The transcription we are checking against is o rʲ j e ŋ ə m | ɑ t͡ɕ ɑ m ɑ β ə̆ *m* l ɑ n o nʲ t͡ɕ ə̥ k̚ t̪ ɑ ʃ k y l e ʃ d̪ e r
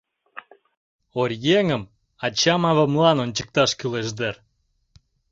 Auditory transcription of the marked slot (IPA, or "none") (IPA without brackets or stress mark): m